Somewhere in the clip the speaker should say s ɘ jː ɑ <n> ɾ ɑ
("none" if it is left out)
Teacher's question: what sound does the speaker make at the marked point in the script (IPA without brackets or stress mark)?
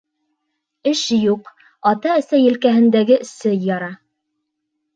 none